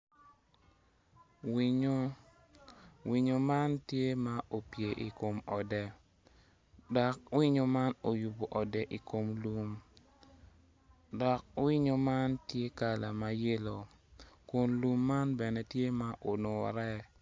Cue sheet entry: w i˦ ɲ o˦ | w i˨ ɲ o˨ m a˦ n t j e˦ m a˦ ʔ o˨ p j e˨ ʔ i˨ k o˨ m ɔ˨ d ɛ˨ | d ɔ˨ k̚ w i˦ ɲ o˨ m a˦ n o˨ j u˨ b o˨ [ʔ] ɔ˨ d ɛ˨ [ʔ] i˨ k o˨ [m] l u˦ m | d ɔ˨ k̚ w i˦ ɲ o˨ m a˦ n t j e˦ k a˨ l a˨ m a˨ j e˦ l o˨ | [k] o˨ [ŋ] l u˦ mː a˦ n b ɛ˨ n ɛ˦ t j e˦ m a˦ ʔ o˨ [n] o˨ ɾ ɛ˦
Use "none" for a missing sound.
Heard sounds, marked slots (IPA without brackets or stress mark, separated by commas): ʔ, ʔ, m, k, n, n